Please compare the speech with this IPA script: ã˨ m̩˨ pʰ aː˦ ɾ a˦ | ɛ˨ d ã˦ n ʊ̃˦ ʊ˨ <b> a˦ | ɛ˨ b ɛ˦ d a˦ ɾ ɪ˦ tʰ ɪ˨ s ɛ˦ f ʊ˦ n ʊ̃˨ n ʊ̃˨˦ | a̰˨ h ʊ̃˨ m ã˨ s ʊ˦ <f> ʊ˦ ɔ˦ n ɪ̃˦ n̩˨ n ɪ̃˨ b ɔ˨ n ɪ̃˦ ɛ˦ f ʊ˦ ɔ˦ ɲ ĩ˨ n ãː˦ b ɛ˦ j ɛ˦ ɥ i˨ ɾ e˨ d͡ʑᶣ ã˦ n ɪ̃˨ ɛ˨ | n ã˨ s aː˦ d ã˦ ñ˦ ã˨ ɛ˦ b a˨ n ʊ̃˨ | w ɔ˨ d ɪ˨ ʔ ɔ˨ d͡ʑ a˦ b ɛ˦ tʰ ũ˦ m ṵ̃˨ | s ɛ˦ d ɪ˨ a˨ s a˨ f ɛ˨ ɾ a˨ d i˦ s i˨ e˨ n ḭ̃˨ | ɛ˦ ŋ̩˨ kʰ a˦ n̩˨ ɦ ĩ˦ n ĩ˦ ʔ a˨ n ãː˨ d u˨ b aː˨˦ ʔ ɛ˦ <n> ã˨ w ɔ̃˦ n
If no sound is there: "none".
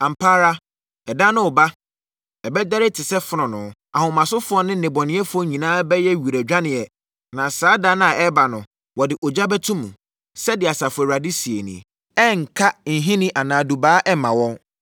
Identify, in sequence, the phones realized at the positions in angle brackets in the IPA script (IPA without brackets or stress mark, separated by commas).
b, f, m